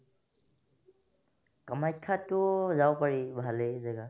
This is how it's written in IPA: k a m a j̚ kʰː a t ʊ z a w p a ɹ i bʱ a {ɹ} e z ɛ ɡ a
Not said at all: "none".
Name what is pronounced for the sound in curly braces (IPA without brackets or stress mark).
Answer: l